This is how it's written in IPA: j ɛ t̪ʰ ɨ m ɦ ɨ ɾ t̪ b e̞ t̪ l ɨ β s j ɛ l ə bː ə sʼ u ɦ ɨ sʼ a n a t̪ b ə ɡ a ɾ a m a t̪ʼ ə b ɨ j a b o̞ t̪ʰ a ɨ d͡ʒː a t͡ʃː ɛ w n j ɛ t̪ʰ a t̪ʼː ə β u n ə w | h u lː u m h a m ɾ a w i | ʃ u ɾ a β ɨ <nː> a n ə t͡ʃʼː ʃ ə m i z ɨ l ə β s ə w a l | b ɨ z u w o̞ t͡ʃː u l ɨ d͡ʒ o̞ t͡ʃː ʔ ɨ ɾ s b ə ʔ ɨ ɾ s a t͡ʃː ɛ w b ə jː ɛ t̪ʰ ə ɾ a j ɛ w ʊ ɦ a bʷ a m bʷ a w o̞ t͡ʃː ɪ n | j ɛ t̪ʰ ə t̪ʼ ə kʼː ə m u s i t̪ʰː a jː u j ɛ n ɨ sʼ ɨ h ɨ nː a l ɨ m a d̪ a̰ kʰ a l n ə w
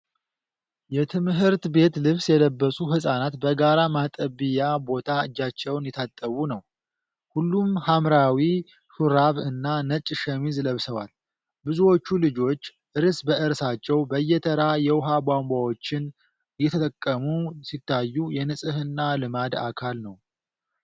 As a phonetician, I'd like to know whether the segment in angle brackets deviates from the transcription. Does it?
no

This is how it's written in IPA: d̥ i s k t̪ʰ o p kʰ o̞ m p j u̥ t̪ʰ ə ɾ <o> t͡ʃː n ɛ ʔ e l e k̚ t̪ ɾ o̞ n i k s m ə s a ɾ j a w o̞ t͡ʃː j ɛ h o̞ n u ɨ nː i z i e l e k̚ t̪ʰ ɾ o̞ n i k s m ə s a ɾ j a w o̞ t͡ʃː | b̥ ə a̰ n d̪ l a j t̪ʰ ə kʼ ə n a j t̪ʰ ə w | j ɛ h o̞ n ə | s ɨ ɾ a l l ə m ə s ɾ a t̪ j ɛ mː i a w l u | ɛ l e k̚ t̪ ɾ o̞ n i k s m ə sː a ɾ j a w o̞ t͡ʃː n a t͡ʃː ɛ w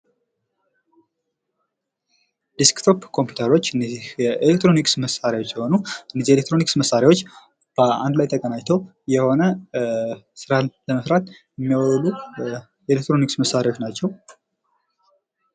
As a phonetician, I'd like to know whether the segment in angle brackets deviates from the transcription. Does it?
no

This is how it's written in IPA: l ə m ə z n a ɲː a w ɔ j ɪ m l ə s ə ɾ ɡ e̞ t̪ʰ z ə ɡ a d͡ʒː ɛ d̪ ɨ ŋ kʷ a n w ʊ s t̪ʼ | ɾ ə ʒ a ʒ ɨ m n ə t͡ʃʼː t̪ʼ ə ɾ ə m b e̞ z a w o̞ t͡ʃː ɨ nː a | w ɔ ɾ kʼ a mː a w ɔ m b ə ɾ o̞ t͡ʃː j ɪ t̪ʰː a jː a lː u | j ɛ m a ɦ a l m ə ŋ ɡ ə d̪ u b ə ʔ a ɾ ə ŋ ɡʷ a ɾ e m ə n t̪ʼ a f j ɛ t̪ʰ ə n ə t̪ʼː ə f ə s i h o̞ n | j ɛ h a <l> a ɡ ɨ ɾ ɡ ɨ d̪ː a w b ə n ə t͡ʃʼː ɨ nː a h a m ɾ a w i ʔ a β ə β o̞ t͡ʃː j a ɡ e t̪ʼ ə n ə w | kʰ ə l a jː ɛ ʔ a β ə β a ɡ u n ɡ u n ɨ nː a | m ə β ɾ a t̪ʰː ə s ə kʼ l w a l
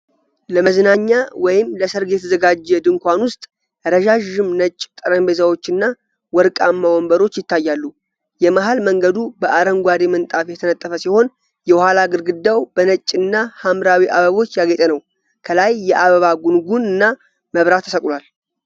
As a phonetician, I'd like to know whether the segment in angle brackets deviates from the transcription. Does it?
no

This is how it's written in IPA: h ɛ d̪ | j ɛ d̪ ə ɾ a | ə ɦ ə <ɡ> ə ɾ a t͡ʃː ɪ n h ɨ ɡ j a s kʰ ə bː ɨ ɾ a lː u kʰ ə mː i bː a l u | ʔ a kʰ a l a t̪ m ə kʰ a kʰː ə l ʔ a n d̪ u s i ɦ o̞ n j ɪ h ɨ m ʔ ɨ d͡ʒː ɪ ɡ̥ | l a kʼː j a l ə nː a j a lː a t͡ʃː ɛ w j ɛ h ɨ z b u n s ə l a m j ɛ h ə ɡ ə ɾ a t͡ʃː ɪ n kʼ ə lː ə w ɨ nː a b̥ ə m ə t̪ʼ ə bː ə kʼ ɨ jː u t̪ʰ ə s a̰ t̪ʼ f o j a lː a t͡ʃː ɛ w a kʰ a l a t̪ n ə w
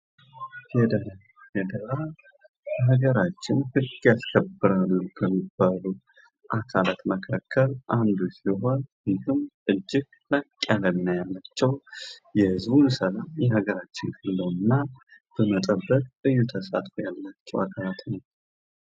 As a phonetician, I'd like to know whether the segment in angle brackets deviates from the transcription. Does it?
no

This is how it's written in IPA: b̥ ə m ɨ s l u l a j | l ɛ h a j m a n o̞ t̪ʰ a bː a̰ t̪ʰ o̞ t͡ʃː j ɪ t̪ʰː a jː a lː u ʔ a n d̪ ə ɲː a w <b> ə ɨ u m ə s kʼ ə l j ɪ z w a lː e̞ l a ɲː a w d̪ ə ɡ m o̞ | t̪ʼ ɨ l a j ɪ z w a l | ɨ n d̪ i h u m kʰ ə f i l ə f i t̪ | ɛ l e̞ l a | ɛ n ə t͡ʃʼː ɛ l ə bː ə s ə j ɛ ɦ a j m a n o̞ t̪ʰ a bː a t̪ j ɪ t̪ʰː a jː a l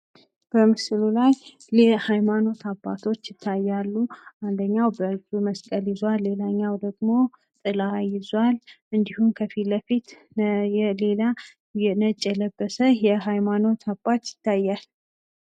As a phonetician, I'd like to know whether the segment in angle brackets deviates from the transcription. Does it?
no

